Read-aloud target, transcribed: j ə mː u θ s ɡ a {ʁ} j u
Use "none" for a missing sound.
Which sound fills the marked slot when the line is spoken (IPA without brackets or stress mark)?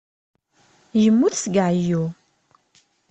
ʕ